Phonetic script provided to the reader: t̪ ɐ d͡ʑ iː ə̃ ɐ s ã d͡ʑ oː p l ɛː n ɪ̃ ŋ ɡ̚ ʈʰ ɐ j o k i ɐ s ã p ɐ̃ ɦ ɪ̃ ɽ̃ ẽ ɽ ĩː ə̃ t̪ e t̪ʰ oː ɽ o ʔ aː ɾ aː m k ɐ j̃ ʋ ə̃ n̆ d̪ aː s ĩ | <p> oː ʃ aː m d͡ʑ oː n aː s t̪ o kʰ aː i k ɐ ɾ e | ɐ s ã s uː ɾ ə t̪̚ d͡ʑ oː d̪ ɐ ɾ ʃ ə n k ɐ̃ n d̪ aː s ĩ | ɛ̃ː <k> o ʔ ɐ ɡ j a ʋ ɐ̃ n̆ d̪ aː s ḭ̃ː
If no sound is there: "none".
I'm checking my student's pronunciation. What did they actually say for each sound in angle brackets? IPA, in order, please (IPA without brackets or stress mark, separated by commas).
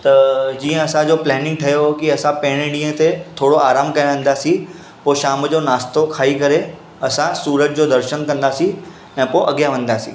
p, p